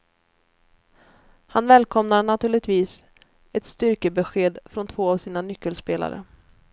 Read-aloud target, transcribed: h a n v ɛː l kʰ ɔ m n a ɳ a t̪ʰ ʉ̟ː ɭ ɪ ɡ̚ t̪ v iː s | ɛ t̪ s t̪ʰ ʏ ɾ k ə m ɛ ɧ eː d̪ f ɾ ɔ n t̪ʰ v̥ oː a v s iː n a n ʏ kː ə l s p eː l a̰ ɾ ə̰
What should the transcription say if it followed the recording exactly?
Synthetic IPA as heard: h a n v ɛː l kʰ ɔ m n a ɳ a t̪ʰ ʉ̟ː ɭ ɪ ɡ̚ t̪ v iː s | ɛ t̪ s t̪ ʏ ɾ k ə b ɛ ɧ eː d̪ f ɾ ɔ n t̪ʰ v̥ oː a v s iː n a n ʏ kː ə l s p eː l a̰ ɾ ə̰

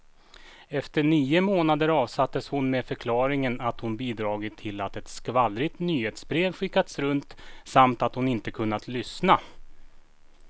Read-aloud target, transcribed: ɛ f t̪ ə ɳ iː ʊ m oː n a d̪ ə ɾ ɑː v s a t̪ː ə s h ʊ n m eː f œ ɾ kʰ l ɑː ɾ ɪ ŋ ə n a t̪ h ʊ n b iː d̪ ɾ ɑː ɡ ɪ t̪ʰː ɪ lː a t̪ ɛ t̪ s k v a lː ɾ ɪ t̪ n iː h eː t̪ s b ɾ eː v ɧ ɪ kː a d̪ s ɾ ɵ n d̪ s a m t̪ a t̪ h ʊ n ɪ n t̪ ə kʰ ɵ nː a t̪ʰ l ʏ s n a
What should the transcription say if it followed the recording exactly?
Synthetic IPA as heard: ɛ f t̪ ə ɳ iː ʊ m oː n a d̪ ə ɾ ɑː v s a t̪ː ə s h ʊ n m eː f œ ɾ kʰ l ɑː ɾ ɪ ŋ ə n a t̪ h ʊ n b iː d̪ ɾ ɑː ɡ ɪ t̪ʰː ɪ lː a t̪ ɛ t̪ s k v a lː ɾ ɪ t̪ n yː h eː t̪ s b ɾ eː v ɧ ɪ kː a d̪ s ɾ ɵ n t̪ s a m t̪ a t̪ h ʊ n ɪ n t̪ ə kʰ ɵ nː a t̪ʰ l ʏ s n a

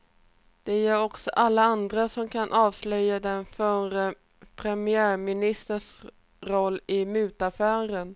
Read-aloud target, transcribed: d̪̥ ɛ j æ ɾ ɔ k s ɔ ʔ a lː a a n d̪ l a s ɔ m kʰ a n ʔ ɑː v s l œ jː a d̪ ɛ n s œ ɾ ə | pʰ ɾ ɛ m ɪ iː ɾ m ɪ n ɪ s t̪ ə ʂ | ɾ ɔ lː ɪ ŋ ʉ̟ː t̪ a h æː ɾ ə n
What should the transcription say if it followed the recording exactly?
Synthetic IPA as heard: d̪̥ ɛ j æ ɾ ɔ k s ɔ ʔ a lː a a n d̪ ɾ a s ɔ m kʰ a n ʔ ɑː v s l œ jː a d̪ ɛ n f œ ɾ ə | pʰ ɾ ɛ m ɪ æː ɾ m ɪ n ɪ s t̪ ə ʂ | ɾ ɔ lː ɪ m ʉ̟ː t̪ a f æː ɾ ə n

